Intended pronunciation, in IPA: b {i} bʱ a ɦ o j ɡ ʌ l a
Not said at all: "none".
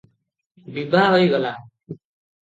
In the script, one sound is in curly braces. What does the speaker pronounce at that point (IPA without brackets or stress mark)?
i